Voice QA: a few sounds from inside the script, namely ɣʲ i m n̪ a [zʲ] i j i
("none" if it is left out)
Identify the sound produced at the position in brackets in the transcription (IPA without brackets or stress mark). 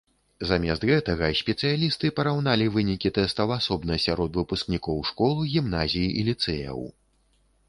zʲ